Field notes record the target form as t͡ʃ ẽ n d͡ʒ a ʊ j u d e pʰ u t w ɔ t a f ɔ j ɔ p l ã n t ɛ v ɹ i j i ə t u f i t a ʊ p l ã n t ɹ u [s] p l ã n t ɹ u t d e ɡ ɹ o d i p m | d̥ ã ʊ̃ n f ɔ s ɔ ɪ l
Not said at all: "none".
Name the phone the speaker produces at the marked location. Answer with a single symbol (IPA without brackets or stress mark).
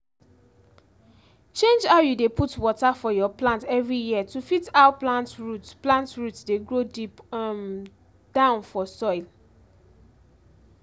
t